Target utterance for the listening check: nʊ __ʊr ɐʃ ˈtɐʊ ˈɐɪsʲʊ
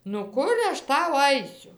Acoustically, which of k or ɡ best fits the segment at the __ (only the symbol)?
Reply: k